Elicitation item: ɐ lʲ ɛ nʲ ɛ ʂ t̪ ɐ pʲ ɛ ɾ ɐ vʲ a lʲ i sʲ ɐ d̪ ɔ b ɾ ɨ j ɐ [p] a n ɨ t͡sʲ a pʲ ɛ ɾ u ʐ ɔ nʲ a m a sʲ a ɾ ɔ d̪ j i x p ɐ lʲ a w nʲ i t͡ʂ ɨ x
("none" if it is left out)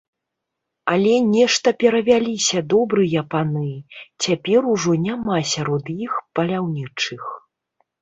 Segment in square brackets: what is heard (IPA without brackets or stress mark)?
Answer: p